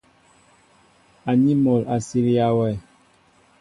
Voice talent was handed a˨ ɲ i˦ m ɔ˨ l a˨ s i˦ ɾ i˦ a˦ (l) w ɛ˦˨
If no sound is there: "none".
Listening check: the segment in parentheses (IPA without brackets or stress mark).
none